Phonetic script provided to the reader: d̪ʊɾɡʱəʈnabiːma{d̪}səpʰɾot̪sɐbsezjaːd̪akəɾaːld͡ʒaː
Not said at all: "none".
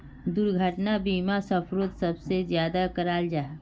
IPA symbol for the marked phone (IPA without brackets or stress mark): none